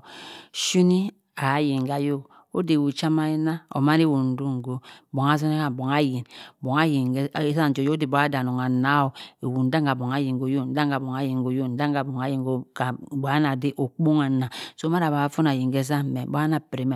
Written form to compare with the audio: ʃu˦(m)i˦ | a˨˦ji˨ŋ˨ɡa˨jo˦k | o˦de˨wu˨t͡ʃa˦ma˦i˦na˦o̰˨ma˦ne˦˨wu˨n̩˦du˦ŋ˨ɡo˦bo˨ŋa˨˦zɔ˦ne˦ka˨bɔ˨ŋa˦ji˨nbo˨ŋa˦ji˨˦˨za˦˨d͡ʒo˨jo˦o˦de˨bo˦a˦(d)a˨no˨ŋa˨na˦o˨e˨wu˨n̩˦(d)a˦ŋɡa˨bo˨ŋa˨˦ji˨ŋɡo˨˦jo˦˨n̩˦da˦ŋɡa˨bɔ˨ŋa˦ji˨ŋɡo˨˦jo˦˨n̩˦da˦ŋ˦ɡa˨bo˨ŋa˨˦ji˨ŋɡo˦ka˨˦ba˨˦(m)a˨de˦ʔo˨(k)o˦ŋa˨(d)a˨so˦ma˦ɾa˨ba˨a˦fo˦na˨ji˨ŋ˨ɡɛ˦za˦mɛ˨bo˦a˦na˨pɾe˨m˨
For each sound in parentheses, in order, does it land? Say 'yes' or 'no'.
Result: no, yes, yes, no, no, no

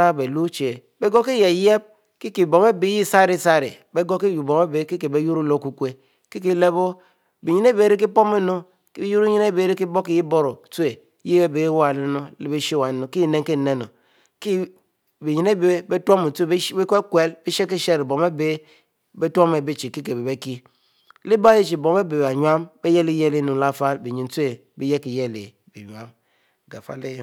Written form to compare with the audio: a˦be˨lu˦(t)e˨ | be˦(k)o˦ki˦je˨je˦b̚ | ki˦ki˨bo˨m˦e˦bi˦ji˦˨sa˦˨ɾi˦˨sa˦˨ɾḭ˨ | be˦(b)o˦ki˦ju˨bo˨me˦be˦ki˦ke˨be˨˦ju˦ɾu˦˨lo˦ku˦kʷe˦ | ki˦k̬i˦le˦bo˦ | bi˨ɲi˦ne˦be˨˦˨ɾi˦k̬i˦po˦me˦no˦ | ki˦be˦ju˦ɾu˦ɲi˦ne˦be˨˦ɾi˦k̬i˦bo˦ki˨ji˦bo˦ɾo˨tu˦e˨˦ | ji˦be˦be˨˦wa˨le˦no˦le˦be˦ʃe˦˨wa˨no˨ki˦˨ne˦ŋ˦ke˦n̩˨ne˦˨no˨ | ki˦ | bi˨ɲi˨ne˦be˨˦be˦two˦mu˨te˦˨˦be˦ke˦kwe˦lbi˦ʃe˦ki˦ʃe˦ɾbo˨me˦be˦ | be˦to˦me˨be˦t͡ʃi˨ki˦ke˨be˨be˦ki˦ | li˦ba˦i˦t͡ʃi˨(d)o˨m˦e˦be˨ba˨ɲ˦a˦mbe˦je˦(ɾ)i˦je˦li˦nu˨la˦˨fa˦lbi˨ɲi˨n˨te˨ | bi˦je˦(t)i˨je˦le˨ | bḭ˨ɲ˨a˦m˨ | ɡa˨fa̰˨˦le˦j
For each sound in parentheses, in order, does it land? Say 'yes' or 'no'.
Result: no, no, no, no, no, no

